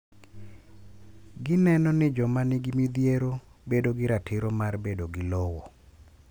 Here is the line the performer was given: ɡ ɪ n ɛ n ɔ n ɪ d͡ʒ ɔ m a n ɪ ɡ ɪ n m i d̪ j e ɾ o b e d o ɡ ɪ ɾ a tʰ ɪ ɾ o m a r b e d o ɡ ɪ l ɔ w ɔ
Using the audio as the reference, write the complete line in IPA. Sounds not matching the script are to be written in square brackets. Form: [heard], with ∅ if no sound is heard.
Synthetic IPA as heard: ɡ ɪ n ɛ n ɔ n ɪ d͡ʒ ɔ m a n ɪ ɡ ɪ [∅] m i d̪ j e ɾ o b e d o ɡ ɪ ɾ a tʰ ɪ ɾ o m a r b e d o ɡ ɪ l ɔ w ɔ